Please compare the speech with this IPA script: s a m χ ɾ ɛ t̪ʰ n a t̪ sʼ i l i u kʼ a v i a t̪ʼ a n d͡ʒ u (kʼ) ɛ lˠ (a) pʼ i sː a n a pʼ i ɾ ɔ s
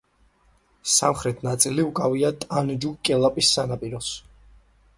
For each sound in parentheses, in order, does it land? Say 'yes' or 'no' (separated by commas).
yes, yes